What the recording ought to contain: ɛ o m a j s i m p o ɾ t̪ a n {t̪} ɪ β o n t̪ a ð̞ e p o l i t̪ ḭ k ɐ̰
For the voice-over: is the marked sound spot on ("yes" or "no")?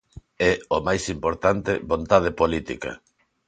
yes